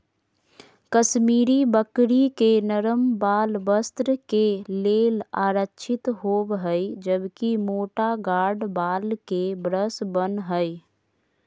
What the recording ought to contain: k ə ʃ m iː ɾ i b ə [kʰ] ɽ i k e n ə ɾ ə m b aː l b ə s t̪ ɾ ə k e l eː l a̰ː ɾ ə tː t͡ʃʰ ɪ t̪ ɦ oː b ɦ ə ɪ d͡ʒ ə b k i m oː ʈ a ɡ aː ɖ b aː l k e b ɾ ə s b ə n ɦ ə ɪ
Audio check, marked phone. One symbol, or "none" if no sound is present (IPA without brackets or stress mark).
k